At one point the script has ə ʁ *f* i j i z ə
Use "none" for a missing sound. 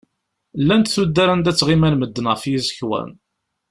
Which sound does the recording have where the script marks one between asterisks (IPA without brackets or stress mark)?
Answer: f